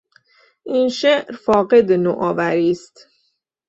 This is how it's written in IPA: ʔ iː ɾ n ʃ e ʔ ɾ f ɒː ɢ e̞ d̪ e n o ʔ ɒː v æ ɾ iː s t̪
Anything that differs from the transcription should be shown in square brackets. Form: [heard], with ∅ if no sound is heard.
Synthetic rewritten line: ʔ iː [∅] n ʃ e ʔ ɾ f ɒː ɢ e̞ d̪ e n o ʔ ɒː v æ ɾ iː s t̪

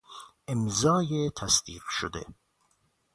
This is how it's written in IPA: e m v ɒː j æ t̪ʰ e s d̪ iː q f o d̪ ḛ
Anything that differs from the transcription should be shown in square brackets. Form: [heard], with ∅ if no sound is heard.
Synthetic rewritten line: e m [z] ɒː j [e] t̪ʰ [æ] s d̪ iː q [ʃ] o d̪ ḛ

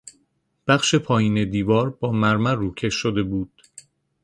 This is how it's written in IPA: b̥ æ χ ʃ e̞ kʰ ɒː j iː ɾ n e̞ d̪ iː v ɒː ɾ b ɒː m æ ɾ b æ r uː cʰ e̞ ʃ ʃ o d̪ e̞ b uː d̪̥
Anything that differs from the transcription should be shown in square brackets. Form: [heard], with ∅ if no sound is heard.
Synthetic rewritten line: b̥ æ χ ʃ e̞ [pʰ] ɒː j iː [∅] n e̞ d̪ iː v ɒː ɾ b ɒː m æ ɾ [m] æ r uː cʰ e̞ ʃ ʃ o d̪ e̞ b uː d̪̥

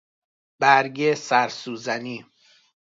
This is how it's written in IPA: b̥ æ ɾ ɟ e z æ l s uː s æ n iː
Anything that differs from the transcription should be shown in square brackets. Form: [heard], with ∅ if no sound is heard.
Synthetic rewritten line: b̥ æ ɾ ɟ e [s] æ [ɾ] s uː [z] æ n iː

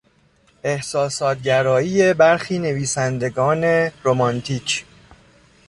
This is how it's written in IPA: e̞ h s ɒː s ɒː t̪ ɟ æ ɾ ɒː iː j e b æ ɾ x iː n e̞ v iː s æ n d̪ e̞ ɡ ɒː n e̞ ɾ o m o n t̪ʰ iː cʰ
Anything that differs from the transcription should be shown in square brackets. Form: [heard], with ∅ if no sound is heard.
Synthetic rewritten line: e̞ h s ɒː s ɒː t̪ ɟ æ ɾ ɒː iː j e b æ ɾ x iː n e̞ v iː s æ n d̪ e̞ ɡ ɒː n e̞ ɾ o m [ɒ] n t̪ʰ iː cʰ

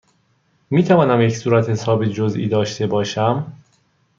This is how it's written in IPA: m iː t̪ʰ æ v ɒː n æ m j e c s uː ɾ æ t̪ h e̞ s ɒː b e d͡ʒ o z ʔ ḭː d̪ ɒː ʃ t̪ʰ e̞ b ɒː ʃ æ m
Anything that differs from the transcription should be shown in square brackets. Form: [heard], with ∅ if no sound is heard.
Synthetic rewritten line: m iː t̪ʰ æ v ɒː n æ m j e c s uː ɾ æ t̪ h e̞ s ɒː b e d͡ʒ o z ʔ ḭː d̪ ɒː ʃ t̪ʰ e̞ b ɒː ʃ æ m

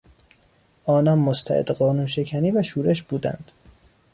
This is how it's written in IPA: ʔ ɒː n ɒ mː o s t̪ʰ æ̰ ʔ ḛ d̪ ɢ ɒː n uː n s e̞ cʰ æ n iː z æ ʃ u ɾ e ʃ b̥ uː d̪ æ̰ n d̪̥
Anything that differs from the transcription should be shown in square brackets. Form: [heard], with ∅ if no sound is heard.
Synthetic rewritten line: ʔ ɒː n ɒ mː o s t̪ʰ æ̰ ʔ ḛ d̪ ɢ ɒː n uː n [ʃ] e̞ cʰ æ n iː [v] æ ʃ [uː] ɾ e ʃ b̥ uː d̪ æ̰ n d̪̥

